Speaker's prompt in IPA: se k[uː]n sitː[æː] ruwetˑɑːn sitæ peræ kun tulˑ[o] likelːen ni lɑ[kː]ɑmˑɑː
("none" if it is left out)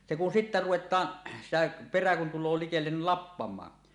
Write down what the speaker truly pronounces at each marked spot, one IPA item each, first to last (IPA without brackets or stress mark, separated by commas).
u, æ, oː, pː